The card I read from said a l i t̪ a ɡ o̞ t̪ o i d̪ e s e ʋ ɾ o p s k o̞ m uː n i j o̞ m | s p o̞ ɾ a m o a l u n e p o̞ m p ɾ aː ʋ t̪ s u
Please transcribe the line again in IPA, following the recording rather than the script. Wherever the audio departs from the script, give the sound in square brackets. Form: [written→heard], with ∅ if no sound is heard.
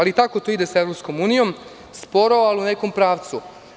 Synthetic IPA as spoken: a l i t̪ a [ɡ→k] o̞ t̪ o i d̪ e s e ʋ ɾ o p s k o̞ m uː n i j o̞ m | s p o̞ ɾ a [m→∅] o a l u n e [p→k] o̞ m p ɾ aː ʋ t̪ s u